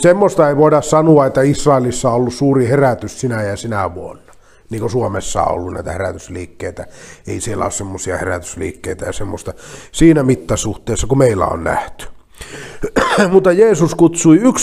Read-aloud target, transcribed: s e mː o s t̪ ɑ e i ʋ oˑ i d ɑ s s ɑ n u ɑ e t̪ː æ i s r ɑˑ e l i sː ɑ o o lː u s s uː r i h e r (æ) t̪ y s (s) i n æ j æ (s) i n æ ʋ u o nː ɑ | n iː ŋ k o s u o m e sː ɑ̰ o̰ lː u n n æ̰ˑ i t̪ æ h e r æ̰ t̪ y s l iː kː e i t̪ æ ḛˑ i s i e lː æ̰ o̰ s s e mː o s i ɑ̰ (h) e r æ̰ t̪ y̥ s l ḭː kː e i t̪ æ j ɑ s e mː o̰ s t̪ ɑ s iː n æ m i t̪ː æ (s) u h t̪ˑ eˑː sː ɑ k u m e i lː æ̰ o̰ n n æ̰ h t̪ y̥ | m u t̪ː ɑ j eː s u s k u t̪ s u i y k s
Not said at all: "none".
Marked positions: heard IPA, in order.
æ, s, s, h, s

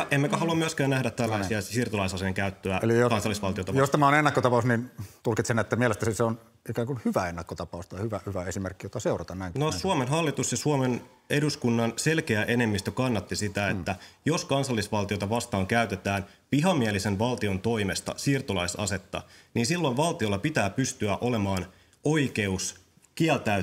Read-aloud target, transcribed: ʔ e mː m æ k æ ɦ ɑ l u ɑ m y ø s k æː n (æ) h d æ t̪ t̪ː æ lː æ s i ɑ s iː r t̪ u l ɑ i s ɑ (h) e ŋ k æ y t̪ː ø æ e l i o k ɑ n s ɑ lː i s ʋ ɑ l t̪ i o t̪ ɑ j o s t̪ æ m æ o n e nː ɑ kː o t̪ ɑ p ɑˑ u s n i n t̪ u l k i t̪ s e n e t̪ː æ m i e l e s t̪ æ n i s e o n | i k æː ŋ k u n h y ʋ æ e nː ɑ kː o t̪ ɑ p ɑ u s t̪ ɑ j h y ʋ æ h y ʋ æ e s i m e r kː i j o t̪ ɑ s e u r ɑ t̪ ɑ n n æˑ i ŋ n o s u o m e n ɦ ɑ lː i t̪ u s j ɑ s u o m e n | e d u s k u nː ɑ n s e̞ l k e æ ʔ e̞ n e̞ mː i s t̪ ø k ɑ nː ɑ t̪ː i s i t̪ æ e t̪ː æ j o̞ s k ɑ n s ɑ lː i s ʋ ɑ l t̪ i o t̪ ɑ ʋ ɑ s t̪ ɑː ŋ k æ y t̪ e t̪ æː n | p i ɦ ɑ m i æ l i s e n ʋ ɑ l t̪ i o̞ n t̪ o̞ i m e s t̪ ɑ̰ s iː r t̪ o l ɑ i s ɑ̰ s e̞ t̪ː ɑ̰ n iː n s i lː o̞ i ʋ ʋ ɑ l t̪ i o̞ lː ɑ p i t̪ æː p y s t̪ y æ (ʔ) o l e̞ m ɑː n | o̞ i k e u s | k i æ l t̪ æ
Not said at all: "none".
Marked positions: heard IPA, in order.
æ, s, ʔ

